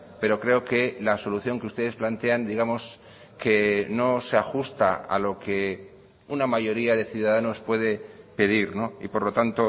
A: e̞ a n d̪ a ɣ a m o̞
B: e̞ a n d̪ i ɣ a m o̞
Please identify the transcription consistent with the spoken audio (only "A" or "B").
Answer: B